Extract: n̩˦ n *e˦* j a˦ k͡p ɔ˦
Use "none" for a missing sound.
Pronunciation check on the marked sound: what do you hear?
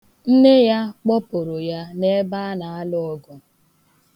e˦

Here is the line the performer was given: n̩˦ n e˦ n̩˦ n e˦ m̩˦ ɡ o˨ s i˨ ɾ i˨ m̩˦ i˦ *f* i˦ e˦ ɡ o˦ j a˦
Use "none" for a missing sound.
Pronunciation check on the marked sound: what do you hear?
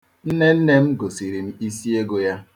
s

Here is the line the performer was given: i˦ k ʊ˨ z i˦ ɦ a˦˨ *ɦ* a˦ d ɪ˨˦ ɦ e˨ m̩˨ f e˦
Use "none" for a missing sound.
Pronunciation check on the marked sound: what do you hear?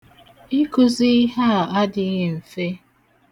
none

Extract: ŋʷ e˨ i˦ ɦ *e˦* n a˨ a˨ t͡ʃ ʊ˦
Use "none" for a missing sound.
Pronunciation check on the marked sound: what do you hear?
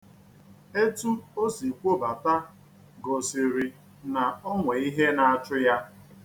e˦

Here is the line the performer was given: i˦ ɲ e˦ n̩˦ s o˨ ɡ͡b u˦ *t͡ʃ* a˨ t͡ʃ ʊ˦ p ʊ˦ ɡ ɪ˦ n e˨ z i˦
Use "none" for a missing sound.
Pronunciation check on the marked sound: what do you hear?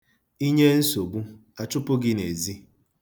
none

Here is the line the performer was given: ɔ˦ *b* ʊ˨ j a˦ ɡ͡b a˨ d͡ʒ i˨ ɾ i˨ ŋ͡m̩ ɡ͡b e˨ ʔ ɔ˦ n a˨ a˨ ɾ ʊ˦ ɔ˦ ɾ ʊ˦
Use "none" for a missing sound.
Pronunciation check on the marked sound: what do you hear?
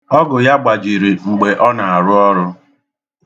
ɡ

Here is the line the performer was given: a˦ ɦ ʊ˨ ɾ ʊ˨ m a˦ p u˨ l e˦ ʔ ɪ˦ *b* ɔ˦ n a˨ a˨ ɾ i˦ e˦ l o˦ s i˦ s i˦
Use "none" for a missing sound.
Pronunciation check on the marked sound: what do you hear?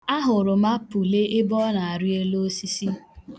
b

